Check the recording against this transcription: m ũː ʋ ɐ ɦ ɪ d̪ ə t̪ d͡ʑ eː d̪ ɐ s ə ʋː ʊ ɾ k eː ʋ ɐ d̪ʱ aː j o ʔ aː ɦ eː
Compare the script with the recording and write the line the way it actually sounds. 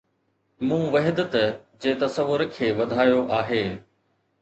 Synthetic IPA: m ũː ʋ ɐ ɦ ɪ d̪ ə t̪ d͡ʑ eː t̪ ɐ s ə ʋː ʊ ɾ kʰ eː ʋ ɐ d̪ʱ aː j o ʔ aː ɦ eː